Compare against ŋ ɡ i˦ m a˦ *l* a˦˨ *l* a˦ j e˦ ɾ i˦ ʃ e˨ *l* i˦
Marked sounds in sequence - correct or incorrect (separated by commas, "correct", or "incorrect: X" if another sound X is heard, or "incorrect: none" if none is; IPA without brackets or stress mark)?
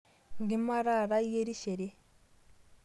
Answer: incorrect: ɾ, incorrect: ɾ, incorrect: ɾ